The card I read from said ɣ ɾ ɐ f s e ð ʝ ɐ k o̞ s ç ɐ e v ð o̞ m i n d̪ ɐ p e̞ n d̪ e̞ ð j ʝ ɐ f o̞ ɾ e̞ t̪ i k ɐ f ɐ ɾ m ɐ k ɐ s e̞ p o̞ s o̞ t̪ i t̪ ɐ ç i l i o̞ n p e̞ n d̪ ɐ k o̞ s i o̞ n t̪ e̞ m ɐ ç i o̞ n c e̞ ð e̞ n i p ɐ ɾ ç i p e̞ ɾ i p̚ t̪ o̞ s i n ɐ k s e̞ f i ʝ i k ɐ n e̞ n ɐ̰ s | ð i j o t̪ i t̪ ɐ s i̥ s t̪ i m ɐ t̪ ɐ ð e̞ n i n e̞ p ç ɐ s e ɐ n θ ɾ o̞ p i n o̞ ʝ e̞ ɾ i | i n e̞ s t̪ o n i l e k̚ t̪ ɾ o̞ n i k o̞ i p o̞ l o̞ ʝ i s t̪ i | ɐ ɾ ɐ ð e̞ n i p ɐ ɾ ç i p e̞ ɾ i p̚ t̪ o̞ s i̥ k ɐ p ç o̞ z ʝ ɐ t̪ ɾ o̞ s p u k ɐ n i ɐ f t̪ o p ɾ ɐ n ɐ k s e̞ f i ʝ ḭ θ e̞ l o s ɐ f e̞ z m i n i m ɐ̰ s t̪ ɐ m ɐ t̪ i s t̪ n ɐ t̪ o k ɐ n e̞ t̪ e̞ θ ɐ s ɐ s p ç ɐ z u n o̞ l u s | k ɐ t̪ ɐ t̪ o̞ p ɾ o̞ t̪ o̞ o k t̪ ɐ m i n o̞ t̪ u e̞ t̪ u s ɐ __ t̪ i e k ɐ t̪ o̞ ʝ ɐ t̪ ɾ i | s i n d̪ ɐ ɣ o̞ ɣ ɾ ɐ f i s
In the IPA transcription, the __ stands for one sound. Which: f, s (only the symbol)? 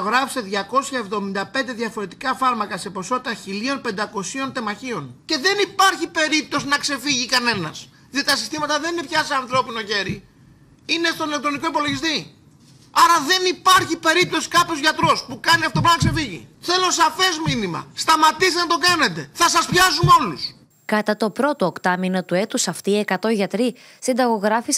f